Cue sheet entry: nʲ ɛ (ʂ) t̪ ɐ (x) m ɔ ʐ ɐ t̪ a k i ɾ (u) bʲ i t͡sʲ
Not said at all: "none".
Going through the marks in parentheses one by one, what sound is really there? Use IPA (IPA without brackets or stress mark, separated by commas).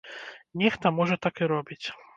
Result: x, none, ɔ